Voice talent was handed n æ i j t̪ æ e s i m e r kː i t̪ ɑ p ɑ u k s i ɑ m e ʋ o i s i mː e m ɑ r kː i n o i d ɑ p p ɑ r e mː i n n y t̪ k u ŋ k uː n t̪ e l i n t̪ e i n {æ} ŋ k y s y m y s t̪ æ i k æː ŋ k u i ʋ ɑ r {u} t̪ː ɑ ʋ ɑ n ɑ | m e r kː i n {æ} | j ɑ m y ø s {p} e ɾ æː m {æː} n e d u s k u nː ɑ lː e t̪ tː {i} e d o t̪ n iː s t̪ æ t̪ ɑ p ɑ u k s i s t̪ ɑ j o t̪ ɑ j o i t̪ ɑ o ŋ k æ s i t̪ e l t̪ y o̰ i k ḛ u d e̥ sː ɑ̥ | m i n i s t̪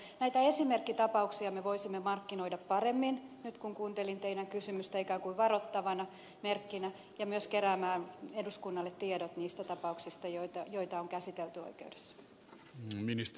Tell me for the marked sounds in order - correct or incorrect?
correct, incorrect: o, correct, incorrect: k, correct, correct

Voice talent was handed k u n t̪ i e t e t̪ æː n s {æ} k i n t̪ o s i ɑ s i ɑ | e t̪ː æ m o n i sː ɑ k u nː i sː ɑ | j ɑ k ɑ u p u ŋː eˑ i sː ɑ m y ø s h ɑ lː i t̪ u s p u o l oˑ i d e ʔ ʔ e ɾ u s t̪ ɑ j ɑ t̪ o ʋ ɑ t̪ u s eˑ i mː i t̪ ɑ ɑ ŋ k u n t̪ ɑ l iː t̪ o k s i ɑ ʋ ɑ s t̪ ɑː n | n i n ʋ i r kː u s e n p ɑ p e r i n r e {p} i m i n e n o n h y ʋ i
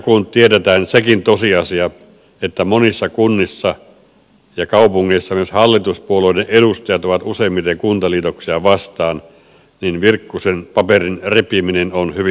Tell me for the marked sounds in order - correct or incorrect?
incorrect: e, correct

